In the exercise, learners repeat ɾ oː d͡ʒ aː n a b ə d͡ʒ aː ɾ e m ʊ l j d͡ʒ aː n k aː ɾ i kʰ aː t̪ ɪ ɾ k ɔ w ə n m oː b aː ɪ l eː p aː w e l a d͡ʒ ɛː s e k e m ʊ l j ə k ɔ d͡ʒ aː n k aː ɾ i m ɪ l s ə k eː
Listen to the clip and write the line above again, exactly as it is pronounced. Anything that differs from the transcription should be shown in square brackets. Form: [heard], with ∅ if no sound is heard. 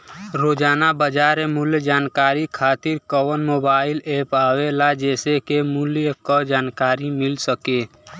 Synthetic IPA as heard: ɾ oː d͡ʒ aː n a b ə d͡ʒ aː ɾ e m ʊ l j d͡ʒ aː n k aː ɾ i kʰ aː t̪ ɪ ɾ k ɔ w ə n m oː b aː ɪ l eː p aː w e l a d͡ʒ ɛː s e k e m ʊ l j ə k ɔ d͡ʒ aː n k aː ɾ i m ɪ l s ə k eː

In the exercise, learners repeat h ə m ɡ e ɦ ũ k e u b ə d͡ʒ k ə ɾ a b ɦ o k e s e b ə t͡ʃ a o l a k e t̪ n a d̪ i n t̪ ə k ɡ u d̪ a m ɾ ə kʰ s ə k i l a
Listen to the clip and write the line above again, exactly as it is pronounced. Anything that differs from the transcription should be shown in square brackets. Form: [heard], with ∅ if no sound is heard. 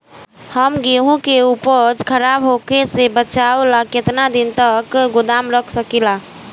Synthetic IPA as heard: h ə m ɡ e ɦ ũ k e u [p] ə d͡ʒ [kʰ] ə ɾ a b ɦ o k e s e b ə t͡ʃ a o l a k e t̪ n a d̪ i n t̪ ə k ɡ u d̪ a m ɾ ə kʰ s ə k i l a

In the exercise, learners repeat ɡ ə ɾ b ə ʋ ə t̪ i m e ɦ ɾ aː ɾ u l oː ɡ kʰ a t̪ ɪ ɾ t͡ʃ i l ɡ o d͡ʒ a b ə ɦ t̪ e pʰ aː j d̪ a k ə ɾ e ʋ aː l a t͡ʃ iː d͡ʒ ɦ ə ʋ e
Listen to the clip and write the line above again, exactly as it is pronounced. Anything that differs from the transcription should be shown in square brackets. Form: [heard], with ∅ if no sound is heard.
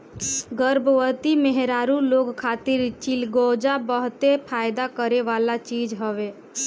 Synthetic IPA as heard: ɡ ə ɾ b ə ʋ ə t̪ i m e ɦ ɾ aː ɾ u l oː ɡ kʰ a t̪ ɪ ɾ t͡ʃ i l ɡ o d͡ʒ a b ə ɦ t̪ e pʰ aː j d̪ a k ə ɾ e ʋ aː l a t͡ʃ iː d͡ʒ ɦ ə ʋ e

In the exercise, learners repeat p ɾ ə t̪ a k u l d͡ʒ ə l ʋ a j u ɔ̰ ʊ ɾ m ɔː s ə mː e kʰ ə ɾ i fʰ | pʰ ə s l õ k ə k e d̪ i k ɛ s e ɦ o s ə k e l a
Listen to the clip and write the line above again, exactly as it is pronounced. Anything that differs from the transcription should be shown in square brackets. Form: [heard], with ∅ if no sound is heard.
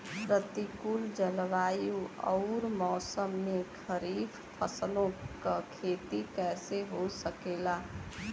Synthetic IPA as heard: p ɾ ə t̪ [i] k u l d͡ʒ ə l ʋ a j u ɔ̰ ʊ ɾ m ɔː s ə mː e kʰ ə ɾ i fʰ | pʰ ə s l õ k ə [kʰ] e [t̪] i k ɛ s e ɦ o s ə k e l a

